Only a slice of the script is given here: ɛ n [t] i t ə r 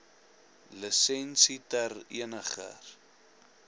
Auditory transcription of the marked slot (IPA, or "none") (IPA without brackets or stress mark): s